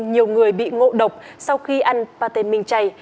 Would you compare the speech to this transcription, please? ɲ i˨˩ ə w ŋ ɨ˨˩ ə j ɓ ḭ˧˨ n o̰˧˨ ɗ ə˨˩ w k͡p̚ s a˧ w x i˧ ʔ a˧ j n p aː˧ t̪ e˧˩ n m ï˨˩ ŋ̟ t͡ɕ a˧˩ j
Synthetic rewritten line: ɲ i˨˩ ə w ŋ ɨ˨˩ ə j ɓ ḭ˧˨ ŋ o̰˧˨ ɗ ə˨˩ w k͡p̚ s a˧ w x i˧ ʔ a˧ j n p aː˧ t̪ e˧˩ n m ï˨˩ ŋ̟ t͡ɕ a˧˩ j